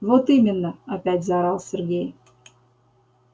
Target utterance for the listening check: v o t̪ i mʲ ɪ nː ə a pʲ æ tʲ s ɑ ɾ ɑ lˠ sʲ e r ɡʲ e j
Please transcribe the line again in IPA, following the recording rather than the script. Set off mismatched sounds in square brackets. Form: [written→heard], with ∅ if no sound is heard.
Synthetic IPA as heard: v o t̪ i mʲ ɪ nː ə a pʲ æ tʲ [s→z] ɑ ɾ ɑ lˠ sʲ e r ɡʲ e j